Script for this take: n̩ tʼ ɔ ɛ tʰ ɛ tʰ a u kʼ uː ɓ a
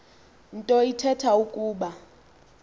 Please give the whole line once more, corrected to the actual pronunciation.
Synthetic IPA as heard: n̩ tʼ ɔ i tʰ ɛ tʰ a u kʼ uː ɓ a